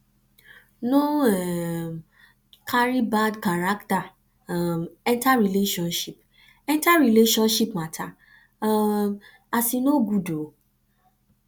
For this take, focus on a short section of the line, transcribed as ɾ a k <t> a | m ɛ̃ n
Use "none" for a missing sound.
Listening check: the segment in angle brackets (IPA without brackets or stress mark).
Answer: t